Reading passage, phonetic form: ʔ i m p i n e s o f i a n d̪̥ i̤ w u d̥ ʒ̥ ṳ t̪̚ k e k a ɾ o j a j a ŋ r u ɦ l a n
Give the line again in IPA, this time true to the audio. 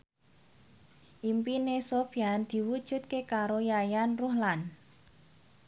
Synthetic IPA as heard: ʔ i m p i n e s o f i a n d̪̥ i̤ w u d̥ ʒ̥ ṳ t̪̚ k e k a ɾ o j a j a n r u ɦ l a n